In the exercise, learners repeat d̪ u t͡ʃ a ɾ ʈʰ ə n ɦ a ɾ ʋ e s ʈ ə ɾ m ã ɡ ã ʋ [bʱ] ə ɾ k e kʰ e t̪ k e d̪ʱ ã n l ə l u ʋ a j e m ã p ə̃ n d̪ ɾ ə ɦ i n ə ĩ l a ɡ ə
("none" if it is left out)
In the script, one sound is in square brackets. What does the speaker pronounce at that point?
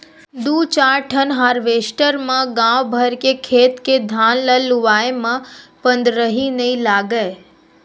bʱ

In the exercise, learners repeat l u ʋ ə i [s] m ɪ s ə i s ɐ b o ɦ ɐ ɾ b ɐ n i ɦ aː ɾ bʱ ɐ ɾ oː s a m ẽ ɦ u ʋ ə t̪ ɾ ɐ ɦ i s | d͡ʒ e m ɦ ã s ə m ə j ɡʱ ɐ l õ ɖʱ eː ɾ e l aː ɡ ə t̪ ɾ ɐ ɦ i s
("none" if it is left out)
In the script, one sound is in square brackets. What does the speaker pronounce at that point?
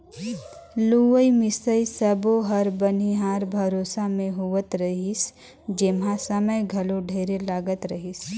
none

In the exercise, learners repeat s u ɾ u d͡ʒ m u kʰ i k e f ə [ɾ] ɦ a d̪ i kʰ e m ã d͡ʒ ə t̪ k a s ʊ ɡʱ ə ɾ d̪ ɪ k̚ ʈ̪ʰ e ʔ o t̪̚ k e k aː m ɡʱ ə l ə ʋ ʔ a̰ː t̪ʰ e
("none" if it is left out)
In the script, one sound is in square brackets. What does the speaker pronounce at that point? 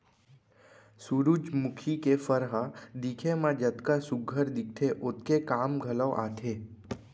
ɾ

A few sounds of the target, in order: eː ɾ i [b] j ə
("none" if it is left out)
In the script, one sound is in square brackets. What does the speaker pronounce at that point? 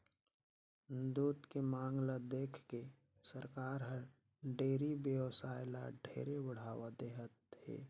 b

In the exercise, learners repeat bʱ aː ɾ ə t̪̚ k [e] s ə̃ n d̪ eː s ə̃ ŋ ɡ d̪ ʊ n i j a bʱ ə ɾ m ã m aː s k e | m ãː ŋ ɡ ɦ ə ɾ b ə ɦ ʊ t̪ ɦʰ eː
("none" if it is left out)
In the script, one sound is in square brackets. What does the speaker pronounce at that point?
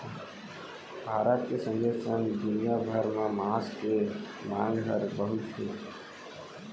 e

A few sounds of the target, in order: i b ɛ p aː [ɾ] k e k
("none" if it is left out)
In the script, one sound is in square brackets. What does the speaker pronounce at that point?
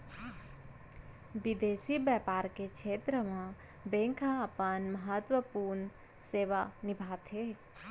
ɾ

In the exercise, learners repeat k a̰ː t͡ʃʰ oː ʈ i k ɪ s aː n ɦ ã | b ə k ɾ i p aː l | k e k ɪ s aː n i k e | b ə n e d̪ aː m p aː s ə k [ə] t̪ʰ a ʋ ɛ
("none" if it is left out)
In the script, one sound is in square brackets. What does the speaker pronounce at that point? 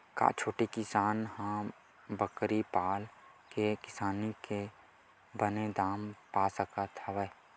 a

